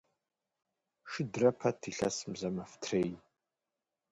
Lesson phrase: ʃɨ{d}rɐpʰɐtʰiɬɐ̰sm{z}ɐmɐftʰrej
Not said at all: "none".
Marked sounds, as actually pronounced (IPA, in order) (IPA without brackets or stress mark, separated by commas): d, z